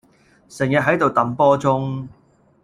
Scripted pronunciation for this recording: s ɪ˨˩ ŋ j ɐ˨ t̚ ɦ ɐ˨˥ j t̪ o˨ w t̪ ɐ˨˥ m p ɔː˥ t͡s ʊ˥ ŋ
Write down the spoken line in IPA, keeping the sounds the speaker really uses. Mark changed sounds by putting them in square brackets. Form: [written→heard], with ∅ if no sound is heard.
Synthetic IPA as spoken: s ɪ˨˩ ŋ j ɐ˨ t̚ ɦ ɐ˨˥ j t̪ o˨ w t̪ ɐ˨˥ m p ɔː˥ t͡s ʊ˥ ŋ